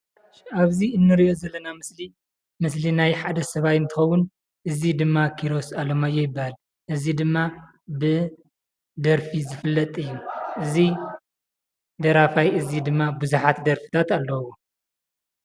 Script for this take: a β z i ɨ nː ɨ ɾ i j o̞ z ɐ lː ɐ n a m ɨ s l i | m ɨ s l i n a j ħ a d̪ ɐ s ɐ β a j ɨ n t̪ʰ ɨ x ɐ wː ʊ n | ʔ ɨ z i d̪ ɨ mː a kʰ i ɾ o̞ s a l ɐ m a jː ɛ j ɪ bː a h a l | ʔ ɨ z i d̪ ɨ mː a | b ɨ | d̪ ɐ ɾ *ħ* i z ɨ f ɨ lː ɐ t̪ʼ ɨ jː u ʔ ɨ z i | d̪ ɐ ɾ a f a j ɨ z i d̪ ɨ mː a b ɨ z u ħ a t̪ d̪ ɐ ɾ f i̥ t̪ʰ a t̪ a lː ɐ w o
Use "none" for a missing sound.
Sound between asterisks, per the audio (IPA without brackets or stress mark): f